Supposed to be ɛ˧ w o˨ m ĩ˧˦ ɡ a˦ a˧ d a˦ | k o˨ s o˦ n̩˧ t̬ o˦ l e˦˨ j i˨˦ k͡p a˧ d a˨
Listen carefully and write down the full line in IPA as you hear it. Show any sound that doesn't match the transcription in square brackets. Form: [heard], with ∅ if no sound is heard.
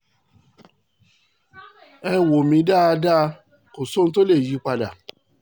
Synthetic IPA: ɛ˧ w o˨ m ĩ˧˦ [d] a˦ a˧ d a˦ | k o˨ s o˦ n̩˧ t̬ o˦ l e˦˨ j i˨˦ k͡p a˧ d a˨